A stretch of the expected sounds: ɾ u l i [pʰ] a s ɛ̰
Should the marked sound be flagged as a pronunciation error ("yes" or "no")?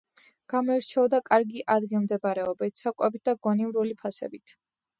no